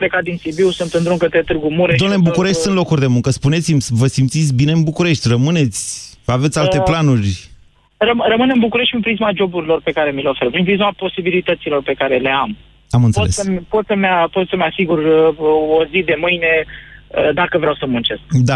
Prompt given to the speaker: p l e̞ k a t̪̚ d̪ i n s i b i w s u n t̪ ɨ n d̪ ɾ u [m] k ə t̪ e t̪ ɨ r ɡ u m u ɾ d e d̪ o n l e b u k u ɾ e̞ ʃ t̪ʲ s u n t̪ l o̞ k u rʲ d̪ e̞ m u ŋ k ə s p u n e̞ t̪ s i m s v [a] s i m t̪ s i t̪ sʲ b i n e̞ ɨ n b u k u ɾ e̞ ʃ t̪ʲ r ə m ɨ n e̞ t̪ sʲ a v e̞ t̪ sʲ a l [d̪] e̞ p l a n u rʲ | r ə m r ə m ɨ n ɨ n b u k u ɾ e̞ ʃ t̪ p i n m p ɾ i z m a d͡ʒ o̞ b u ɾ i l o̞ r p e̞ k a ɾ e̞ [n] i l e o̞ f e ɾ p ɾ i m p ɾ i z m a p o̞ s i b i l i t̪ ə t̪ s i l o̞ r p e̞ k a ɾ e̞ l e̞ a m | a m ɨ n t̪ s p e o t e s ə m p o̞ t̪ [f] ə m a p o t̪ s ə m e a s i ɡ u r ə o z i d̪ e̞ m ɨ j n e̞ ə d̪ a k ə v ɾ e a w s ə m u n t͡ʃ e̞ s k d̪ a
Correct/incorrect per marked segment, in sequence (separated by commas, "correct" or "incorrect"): incorrect, incorrect, incorrect, incorrect, incorrect